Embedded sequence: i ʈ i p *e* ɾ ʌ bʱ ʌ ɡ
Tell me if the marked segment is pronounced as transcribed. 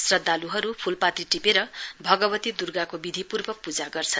yes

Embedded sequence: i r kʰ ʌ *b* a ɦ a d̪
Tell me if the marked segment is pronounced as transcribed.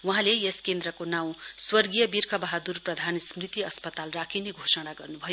yes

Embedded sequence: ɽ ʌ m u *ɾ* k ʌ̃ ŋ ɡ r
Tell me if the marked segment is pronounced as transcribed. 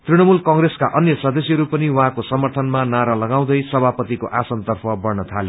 no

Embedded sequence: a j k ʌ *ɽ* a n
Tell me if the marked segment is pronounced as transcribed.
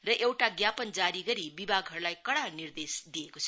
yes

